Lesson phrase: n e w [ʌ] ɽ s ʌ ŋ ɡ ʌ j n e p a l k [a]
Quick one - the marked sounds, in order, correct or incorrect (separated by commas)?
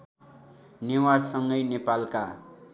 incorrect, correct